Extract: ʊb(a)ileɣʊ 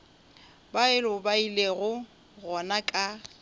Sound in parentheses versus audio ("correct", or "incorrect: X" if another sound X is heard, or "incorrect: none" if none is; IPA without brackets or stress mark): correct